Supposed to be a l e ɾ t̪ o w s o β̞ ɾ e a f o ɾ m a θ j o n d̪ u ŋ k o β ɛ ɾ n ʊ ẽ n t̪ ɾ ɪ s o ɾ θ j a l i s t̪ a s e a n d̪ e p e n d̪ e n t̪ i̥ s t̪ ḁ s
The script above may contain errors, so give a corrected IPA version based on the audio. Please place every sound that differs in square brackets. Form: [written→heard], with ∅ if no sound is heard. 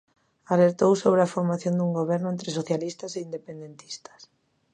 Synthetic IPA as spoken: a l e ɾ t̪ o w s o β̞ ɾ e a f o ɾ m a θ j o n d̪ u ŋ [k→ɡ] o β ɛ ɾ n ʊ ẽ n t̪ ɾ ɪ s o [ɾ→∅] θ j a l i s t̪ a s e [a→i] n d̪ e p e n d̪ e n t̪ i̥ s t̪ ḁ s